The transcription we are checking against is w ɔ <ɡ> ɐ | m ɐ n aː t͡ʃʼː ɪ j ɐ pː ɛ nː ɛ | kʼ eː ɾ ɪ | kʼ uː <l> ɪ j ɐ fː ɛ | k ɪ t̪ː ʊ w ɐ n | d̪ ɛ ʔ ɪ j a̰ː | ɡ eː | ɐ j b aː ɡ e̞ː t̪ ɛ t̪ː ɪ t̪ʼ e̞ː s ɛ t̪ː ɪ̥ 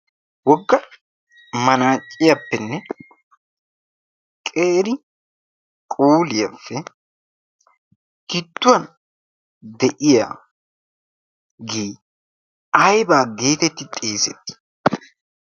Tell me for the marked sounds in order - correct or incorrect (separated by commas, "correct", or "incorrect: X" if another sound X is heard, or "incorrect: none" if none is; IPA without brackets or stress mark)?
incorrect: ɡː, correct